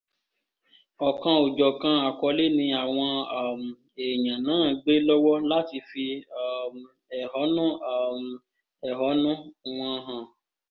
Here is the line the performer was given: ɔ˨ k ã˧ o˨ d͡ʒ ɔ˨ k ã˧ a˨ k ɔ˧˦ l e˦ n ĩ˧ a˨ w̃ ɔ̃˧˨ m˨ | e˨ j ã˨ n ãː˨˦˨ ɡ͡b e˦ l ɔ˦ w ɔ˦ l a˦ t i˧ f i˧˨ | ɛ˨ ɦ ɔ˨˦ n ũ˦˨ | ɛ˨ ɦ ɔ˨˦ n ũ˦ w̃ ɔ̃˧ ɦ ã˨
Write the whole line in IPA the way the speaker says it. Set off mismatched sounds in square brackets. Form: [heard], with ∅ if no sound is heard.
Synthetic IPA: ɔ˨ k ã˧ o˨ d͡ʒ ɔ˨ k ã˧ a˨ k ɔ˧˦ l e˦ n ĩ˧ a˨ w̃ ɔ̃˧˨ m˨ | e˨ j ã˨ n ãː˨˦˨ ɡ͡b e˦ l ɔ˦ w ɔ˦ l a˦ t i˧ f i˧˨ | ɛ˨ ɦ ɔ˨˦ n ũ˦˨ | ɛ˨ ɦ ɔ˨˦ n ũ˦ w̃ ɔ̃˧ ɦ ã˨